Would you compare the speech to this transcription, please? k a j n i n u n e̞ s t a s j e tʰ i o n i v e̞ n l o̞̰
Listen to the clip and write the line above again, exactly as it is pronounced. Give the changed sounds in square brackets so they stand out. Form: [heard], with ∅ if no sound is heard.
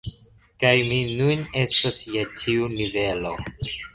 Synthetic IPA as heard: k a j [m] i n u n e̞ s t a s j e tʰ i [u] n i v e̞ [∅] l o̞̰